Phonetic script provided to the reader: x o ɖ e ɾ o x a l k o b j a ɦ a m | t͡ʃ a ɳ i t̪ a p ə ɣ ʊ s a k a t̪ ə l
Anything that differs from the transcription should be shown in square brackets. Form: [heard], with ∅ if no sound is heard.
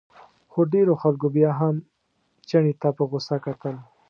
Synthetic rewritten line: x o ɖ e ɾ o x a l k o b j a ɦ a m | t͡ʃ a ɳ i t̪ a p ə ɣ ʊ s a k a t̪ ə l